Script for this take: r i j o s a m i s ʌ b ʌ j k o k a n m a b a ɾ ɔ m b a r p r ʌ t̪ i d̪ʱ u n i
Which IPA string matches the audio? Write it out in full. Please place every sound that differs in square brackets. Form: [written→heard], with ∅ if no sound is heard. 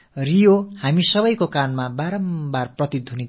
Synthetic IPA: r i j o [s→h] a m i s ʌ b ʌ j k o k a n m a b a ɾ [ɔ→ʌ] m b a r p r ʌ t̪ i d̪ʱ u n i